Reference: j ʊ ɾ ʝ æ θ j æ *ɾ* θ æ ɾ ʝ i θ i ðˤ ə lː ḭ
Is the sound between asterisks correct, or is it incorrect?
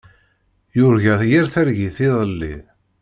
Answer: correct